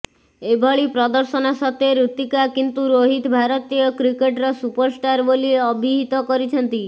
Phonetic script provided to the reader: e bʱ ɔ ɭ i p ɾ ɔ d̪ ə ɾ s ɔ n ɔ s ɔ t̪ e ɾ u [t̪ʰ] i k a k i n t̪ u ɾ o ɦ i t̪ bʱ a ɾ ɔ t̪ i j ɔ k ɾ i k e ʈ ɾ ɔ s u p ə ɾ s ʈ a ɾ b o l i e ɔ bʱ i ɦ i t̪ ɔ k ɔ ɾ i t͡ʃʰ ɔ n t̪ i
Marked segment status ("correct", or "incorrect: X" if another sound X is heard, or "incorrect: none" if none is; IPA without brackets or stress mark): incorrect: t̪